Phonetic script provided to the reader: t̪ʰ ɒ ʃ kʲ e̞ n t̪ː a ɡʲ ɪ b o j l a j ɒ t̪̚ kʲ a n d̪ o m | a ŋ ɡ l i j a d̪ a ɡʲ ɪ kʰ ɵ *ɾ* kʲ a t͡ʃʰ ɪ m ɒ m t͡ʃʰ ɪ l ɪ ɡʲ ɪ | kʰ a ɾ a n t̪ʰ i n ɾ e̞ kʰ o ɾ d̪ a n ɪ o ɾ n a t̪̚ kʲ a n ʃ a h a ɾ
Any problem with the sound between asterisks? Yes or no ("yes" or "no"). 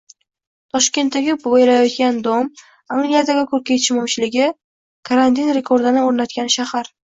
no